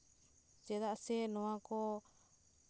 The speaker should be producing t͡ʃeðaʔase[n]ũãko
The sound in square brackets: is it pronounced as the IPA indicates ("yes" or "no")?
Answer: yes